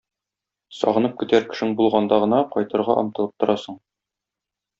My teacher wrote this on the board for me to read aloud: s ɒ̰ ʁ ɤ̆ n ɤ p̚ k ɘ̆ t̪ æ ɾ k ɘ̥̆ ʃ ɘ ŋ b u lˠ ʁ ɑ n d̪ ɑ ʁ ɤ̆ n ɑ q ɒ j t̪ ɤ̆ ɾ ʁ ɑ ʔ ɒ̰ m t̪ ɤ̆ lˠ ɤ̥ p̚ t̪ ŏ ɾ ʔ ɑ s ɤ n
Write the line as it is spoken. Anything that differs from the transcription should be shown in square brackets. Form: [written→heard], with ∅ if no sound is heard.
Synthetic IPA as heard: s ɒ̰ ʁ ɤ̆ n ɤ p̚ k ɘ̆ t̪ æ ɾ k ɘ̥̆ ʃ ɘ ŋ b u lˠ ʁ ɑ n d̪ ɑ ʁ ɤ̆ n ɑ q ɒ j t̪ ɤ̆ ɾ ʁ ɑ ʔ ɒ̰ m t̪ ɤ̆ lˠ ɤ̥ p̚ t̪ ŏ ɾ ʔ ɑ s ɤ [n→ɴ]